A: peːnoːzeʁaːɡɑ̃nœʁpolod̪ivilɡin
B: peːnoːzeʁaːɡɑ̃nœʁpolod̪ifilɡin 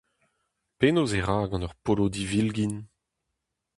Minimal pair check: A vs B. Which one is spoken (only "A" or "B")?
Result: A